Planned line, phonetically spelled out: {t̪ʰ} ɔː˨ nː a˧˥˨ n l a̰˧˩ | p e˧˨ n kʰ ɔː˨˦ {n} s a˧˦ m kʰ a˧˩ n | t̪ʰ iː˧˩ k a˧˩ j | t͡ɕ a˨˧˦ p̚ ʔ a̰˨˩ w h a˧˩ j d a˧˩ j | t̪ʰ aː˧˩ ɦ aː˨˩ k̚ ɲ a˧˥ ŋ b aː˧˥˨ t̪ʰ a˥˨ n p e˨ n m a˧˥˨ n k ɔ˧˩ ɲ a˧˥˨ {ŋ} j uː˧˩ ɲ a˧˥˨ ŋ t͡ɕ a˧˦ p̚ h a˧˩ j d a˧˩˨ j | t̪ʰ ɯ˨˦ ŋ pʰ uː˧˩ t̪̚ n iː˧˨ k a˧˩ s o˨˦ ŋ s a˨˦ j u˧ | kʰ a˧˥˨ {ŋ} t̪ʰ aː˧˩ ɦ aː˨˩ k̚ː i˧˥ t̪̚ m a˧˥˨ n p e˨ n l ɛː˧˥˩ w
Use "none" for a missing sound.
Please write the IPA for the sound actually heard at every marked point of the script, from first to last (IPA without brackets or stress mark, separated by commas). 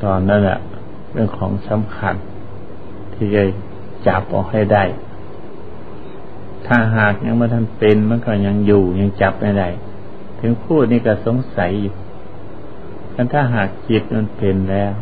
t̪, ŋ, ŋ, n